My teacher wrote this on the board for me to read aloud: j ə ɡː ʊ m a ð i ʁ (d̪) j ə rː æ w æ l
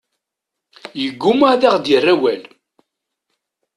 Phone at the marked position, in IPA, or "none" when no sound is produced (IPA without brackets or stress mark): d̪